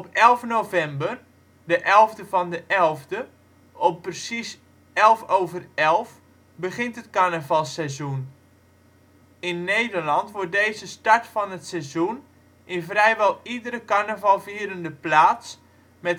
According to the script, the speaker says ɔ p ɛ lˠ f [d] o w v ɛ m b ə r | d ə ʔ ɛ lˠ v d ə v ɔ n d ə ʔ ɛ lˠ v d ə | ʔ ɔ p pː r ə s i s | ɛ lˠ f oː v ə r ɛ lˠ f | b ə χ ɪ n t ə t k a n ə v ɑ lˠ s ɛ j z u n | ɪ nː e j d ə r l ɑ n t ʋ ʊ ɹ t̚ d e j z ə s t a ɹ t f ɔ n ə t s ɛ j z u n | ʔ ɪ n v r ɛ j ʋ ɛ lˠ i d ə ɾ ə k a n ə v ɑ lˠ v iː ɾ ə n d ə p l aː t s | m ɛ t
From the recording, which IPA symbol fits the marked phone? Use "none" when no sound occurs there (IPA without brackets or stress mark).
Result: n